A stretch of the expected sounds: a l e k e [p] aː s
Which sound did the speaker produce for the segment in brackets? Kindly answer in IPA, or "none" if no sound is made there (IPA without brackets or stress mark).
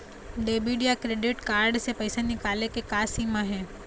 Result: k